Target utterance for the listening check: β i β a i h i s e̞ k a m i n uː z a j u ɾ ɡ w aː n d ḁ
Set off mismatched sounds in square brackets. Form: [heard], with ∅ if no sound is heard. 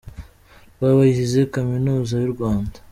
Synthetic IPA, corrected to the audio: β [a] β a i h i [z] e̞ k a m i n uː z a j u ɾ ɡ w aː n d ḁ